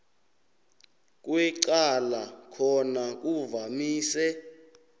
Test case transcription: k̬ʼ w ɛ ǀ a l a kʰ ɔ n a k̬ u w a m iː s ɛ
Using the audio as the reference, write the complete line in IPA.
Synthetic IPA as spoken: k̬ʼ w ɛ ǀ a l a kʰ ɔ n a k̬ u v a m iː s ɛ